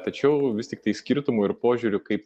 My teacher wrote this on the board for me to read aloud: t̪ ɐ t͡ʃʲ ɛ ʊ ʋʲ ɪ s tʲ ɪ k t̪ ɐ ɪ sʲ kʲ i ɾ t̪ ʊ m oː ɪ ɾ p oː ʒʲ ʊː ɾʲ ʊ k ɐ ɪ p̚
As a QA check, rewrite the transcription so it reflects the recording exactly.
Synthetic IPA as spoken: t̪ ɐ t͡ʃʲ ɛ ʊ ʋʲ ɪ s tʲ ɪ k t̪ ɐ ɪ sʲ kʲ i ɾ t̪ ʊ m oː ɪ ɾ p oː ʒʲ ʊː ɾʲ ʊ k ɐ ɪ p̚